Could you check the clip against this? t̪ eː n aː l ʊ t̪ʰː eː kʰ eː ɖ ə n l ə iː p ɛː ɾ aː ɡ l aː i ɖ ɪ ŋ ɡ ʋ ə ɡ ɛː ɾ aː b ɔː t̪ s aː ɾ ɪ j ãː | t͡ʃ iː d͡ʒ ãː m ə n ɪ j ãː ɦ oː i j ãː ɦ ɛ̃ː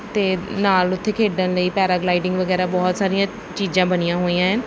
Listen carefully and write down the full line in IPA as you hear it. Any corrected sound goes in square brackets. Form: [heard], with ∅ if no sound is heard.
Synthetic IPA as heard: t̪ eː n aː l ʊ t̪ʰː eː kʰ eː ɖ ə n l ə iː p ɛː ɾ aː ɡ l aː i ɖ ɪ ŋ ɡ ʋ ə ɡ ɛː ɾ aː b ɔː t̪ s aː ɾ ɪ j ãː | t͡ʃ iː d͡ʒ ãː [b] ə n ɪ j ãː ɦ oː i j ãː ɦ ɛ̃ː